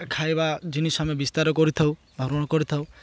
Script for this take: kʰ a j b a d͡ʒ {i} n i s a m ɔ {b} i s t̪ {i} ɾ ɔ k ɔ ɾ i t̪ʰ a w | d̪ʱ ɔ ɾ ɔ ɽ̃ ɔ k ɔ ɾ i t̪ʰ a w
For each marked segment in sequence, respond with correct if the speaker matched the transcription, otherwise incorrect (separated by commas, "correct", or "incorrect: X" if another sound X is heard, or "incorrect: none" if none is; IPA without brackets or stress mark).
correct, correct, incorrect: a